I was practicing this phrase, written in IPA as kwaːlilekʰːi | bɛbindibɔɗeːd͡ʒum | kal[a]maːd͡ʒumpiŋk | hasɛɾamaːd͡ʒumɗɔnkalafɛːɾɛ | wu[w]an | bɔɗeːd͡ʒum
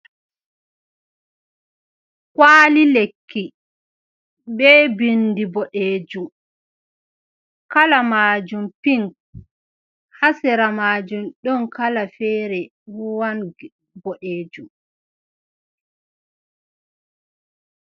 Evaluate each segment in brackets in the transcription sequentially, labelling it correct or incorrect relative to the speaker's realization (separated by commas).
correct, correct